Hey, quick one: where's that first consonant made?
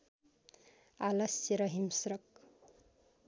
tongue tip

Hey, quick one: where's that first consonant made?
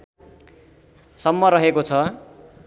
tongue tip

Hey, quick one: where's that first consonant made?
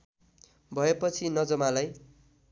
lips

